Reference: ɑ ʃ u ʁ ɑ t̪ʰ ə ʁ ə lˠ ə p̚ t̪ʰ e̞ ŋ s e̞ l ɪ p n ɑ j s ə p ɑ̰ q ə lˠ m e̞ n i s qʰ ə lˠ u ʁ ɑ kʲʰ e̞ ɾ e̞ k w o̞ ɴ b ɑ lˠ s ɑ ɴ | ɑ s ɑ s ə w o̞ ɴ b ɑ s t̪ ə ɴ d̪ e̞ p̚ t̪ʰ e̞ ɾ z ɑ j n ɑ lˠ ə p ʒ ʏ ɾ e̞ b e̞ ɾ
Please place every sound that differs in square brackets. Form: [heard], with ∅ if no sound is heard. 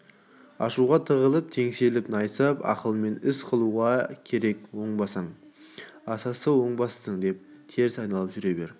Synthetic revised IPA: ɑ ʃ u ʁ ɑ t̪ʰ ə ʁ ə lˠ ə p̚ t̪ʰ e̞ ŋ s e̞ l ɪ p n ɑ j s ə p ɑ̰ q ə lˠ m e̞ n [ɪ] s qʰ ə lˠ u ʁ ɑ kʲʰ e̞ ɾ e̞ k w o̞ ɴ b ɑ [∅] s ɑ ɴ | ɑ s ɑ s ə w o̞ ɴ b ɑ s t̪ ə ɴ d̪ e̞ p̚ t̪ʰ e̞ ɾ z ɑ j n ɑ lˠ ə p ʒ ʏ ɾ e̞ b e̞ ɾ